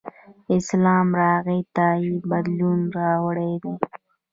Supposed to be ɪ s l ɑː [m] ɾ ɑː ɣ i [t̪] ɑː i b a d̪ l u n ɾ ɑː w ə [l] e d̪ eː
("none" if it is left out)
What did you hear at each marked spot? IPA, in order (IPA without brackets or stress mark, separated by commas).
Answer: m, t̪, ɽ